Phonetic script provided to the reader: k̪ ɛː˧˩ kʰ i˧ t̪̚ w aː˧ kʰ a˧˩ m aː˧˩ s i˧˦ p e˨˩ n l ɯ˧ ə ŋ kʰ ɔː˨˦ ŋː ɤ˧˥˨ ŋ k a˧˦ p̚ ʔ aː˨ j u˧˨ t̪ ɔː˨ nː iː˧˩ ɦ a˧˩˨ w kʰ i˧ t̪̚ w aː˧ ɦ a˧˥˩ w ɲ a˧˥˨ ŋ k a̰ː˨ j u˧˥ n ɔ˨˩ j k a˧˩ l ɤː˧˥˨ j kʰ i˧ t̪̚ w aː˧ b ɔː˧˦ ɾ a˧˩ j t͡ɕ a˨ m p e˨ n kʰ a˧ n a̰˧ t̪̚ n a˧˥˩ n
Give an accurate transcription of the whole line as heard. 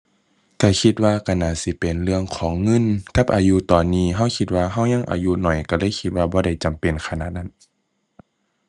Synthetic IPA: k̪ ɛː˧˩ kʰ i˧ t̪̚ w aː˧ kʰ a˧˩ n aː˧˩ s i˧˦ p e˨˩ n l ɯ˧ ə ŋ kʰ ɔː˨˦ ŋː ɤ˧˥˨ n k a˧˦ p̚ ʔ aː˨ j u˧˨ t̪ ɔː˨ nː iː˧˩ ɦ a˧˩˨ w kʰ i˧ t̪̚ w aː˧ ɦ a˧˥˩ w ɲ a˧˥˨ ŋ ʔ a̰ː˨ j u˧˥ n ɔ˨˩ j k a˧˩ l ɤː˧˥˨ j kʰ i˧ t̪̚ w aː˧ b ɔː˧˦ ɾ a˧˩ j t͡ɕ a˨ m p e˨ n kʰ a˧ n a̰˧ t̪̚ n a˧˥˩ n